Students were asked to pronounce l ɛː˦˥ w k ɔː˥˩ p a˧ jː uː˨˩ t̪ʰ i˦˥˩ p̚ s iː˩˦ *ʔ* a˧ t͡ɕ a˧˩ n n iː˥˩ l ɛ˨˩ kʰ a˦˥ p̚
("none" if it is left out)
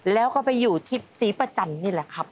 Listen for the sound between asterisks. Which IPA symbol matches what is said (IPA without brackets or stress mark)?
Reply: p